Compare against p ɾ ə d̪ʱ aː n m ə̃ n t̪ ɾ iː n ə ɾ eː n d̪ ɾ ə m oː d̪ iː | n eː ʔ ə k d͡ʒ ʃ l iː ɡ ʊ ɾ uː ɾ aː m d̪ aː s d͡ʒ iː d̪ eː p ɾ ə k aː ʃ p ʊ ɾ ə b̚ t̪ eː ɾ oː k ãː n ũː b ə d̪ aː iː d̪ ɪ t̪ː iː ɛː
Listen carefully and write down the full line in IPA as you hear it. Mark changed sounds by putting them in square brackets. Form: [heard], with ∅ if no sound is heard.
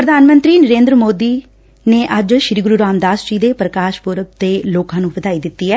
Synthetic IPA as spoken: p ɾ ə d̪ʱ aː n m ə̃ n t̪ ɾ iː n ə ɾ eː n d̪ ɾ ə m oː d̪ iː | n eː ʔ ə [∅] d͡ʒ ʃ [ɾ] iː ɡ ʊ ɾ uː ɾ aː m d̪ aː s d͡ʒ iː d̪ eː p ɾ ə k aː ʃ p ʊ ɾ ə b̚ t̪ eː [l] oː k ãː n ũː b ə d̪ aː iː d̪ ɪ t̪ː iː ɛː